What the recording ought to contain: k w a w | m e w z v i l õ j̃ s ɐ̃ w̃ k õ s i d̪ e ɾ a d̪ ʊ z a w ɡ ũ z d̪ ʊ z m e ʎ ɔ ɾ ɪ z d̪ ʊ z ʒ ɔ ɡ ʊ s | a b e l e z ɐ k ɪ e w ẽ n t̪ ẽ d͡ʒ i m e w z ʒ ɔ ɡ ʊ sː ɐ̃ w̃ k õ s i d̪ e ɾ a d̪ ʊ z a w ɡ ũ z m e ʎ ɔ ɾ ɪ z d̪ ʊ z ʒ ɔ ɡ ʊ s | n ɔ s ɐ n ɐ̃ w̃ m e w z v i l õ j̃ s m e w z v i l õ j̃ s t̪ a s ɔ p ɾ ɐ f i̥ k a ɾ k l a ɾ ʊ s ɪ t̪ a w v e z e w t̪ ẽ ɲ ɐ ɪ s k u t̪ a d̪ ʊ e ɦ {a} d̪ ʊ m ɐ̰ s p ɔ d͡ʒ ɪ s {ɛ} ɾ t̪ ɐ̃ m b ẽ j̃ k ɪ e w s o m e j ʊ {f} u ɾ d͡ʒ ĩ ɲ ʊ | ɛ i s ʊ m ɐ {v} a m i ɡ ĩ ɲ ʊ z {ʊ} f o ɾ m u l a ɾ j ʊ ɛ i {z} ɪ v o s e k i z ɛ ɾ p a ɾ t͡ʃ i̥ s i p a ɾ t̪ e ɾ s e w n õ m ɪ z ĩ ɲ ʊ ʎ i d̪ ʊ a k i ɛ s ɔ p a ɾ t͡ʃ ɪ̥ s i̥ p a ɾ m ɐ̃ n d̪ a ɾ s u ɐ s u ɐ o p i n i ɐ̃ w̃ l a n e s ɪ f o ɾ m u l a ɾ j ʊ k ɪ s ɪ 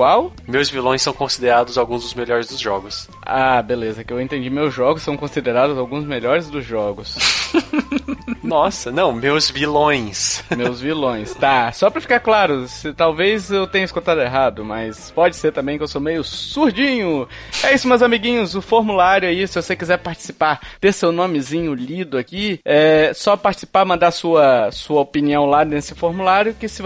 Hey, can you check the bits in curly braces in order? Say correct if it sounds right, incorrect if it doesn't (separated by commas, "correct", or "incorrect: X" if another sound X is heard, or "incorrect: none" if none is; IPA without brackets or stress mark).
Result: correct, incorrect: e, incorrect: s, incorrect: z, correct, incorrect: s